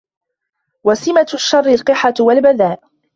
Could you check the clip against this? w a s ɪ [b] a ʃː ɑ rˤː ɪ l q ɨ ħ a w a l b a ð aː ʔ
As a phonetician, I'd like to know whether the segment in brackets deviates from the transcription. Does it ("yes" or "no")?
yes